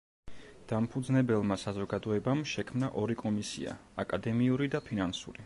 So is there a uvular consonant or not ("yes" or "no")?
no